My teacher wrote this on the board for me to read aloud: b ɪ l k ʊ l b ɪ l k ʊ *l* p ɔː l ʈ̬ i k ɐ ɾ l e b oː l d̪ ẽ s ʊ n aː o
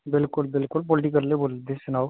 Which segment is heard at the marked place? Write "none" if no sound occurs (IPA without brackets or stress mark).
l